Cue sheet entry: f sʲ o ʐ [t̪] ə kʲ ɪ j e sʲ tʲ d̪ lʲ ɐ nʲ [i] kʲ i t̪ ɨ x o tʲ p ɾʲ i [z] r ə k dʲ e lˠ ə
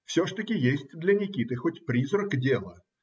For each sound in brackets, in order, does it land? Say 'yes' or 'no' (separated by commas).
yes, no, yes